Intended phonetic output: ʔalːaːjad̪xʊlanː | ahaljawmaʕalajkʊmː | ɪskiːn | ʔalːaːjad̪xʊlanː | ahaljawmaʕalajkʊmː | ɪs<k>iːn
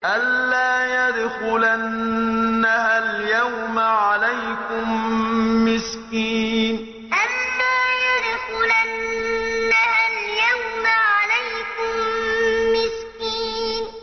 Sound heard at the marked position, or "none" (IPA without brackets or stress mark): k